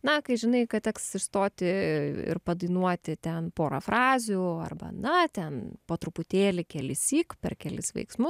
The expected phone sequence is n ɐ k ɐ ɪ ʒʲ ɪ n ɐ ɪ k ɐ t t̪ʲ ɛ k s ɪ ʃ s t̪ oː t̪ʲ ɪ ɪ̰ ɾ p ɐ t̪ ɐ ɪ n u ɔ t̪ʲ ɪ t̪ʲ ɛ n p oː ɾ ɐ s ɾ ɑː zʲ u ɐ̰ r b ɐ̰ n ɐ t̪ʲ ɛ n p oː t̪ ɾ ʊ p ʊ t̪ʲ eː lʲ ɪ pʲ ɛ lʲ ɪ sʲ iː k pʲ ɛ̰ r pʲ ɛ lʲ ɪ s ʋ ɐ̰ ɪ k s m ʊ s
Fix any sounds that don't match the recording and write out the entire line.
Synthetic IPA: n ɐ k ɐ ɪ ʒʲ ɪ n ɐ ɪ k ɐ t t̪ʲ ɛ k s ɪ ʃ s t̪ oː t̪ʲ ɪ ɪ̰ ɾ p ɐ d̪ ɐ ɪ n u ɔ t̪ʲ ɪ t̪ʲ ɛ n p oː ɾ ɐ f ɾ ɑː zʲ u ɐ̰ r b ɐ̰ n ɐ t̪ʲ ɛ n p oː t̪ ɾ ʊ p ʊ t̪ʲ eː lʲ ɪ kʲ ɛ lʲ ɪ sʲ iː k pʲ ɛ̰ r kʲ ɛ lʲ ɪ s ʋ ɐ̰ ɪ k s m ʊ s